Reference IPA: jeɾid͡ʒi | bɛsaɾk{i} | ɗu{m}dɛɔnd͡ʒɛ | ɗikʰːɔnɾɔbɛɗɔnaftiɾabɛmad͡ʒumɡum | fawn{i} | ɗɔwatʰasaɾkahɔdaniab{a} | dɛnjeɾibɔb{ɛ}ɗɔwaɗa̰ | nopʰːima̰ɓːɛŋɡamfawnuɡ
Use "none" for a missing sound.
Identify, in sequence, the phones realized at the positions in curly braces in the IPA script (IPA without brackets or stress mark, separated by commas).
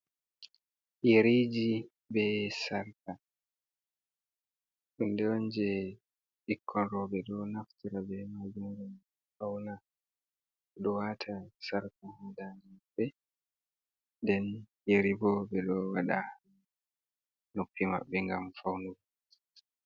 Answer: a, n, a, ɛ, ɛ